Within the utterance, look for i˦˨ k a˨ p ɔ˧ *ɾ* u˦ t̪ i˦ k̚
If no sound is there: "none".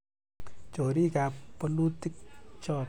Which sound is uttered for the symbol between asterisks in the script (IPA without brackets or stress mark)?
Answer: l